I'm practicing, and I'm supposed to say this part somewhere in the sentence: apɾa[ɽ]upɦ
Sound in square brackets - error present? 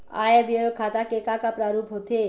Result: yes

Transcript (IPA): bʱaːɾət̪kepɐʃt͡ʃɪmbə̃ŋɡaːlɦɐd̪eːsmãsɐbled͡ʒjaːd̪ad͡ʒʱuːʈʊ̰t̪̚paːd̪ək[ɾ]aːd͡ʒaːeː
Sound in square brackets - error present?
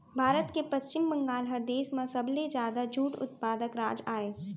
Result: no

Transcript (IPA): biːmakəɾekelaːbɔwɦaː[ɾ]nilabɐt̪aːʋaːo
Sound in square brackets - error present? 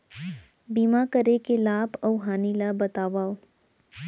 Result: yes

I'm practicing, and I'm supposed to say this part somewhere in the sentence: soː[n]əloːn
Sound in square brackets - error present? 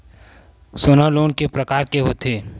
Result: no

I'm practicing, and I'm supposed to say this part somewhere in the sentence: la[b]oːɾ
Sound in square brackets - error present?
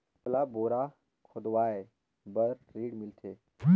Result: no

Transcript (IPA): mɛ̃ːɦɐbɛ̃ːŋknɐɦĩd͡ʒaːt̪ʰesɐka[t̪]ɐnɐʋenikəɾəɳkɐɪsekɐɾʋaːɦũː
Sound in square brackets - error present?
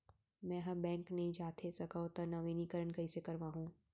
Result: no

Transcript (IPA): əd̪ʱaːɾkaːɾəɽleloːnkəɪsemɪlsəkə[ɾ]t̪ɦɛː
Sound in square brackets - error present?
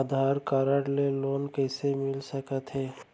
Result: yes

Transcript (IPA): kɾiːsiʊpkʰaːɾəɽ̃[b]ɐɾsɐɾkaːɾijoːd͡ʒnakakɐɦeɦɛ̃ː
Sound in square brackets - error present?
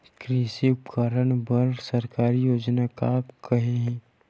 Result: no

